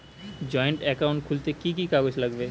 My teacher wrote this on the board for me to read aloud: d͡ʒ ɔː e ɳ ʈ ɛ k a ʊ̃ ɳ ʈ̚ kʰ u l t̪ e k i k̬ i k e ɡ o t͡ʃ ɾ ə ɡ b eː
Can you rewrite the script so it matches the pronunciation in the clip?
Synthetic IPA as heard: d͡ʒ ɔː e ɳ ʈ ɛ k a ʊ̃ ɳ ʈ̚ kʰ u l t̪ e k i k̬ i k a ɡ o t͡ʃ l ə ɡ b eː